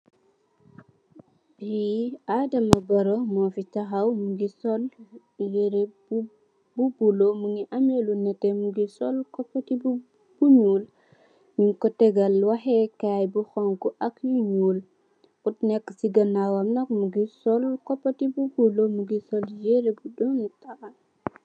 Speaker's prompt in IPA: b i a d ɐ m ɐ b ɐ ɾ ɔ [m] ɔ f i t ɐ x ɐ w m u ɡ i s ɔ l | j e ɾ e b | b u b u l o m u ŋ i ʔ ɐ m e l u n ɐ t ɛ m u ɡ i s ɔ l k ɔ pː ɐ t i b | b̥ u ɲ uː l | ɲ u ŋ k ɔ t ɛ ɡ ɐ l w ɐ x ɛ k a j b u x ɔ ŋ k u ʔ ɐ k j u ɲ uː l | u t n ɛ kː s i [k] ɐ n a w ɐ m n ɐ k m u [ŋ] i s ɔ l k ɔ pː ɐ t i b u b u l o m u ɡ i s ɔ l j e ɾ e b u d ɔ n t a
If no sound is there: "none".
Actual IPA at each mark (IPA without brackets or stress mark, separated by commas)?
m, ɡ, ɡ